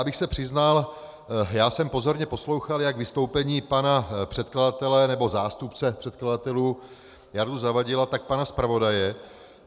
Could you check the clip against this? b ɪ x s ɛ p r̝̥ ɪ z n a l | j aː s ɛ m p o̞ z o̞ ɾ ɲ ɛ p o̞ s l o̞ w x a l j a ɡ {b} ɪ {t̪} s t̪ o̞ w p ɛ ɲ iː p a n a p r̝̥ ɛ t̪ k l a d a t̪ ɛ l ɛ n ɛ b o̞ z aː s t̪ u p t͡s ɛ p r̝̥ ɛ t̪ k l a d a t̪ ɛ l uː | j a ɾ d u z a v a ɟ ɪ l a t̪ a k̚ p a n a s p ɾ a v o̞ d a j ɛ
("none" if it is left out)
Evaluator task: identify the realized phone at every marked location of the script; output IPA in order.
v, none

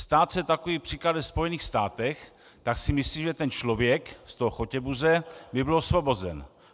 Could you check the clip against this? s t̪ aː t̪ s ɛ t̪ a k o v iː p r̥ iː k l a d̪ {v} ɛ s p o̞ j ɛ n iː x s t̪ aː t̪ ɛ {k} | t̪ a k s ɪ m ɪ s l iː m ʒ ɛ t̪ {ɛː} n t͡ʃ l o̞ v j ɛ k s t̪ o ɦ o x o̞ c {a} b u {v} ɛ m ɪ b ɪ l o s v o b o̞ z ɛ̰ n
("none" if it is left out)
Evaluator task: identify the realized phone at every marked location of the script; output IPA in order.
v, x, ɛ, ɛ, z

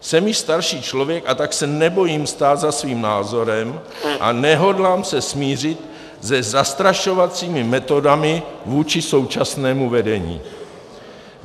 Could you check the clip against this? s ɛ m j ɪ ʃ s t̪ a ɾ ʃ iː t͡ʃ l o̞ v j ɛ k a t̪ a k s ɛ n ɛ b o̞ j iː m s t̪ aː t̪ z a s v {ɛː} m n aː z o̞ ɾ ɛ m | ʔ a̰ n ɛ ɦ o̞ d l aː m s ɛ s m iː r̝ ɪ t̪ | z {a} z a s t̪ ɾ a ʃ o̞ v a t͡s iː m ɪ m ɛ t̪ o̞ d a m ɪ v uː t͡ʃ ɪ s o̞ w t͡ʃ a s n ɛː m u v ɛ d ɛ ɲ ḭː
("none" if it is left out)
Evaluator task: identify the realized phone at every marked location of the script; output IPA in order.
iː, ɛ

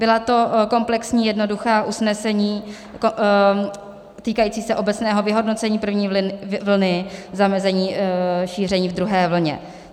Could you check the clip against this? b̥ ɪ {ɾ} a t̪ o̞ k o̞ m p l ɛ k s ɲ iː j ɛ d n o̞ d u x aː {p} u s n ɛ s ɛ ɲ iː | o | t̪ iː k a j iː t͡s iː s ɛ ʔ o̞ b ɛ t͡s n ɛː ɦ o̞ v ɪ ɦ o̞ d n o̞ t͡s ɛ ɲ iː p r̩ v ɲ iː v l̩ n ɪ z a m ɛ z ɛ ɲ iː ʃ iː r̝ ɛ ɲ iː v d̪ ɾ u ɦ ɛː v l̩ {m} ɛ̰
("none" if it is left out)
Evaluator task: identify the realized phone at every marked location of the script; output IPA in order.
l, ʔ, ɲ

